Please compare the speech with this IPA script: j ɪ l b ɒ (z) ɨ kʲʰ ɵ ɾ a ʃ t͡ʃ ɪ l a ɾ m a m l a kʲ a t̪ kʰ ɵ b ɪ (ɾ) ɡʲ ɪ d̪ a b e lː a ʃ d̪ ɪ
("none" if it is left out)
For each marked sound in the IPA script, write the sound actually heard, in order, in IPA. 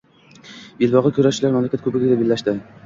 ʁ, none

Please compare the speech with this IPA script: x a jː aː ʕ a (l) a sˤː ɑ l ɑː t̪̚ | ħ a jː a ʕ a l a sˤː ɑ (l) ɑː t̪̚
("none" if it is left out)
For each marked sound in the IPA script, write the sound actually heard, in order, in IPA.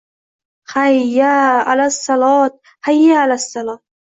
l, l

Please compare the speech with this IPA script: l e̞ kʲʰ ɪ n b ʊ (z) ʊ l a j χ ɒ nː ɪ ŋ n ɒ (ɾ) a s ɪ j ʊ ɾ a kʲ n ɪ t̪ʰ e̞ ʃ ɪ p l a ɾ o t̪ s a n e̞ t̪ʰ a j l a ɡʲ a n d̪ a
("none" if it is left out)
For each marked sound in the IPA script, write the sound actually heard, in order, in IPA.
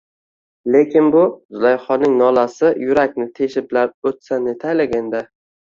z, l

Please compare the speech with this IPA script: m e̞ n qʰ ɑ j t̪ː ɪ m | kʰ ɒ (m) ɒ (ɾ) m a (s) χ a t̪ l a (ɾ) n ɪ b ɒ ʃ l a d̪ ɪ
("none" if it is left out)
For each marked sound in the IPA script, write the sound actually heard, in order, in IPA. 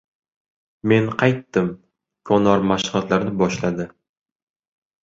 n, ɾ, ʃ, ɾ

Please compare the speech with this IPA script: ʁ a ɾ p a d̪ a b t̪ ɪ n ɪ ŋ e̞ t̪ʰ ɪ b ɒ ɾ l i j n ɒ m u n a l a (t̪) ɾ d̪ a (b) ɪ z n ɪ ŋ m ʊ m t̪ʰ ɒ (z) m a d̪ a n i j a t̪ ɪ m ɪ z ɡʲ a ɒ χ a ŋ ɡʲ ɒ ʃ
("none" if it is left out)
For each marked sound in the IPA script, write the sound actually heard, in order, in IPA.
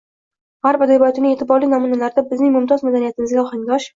none, b, z

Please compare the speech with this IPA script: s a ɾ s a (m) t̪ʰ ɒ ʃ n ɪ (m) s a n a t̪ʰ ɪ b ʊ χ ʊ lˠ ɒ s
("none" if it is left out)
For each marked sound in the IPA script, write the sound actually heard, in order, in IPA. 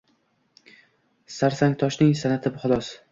ŋ, ŋ

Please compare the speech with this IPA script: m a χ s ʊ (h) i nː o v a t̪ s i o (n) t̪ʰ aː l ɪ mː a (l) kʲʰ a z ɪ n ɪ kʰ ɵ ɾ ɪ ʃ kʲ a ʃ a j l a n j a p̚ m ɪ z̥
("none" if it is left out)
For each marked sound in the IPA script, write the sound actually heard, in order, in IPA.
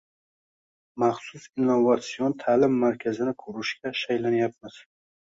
s, n, ɾ

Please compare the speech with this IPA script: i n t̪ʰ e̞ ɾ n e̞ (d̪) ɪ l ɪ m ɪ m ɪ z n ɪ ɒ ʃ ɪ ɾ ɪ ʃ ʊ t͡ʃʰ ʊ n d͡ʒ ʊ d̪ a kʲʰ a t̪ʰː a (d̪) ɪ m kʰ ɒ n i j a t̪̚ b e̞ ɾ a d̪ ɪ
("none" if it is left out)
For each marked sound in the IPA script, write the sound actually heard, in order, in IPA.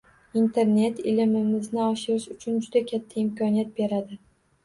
t̪, none

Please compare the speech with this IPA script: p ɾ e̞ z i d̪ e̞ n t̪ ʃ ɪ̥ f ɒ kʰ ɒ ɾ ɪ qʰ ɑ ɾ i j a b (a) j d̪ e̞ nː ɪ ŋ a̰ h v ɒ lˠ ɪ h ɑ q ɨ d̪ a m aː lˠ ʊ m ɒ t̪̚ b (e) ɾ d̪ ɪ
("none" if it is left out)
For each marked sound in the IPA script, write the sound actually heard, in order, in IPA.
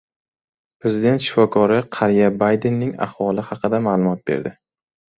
a, e

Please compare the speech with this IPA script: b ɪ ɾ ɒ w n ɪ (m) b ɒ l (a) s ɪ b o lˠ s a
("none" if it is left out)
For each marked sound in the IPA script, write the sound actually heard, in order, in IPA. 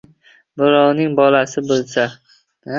ŋ, a

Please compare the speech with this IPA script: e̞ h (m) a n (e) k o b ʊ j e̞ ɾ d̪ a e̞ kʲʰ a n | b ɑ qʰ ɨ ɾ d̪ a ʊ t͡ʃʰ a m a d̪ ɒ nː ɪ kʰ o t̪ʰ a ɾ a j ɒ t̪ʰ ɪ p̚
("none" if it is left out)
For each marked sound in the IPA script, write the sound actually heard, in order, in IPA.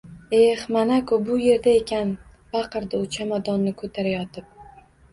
m, a

